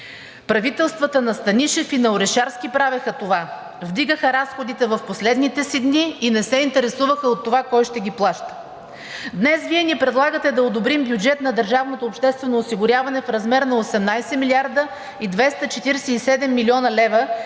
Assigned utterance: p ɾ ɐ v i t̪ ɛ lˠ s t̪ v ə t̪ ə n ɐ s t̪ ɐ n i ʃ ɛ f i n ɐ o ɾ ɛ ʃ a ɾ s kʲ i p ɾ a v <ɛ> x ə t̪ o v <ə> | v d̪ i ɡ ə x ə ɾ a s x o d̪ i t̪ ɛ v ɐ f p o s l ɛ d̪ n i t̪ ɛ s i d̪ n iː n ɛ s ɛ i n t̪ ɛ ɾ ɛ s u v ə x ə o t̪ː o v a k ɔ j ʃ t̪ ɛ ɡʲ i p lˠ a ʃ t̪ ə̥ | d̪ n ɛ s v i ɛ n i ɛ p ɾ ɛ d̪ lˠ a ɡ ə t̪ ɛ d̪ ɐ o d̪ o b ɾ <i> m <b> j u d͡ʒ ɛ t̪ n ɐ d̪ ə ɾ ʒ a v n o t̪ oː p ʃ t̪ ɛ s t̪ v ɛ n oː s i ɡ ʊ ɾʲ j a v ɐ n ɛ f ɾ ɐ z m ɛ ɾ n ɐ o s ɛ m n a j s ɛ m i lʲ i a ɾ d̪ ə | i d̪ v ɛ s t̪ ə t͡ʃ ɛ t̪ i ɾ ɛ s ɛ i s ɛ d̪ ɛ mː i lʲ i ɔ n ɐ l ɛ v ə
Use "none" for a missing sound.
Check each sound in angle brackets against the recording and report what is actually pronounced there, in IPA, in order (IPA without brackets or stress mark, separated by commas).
ɛ, a, i, b